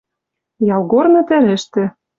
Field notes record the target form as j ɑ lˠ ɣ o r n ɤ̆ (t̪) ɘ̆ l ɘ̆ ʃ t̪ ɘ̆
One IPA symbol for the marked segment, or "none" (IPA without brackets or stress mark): t̪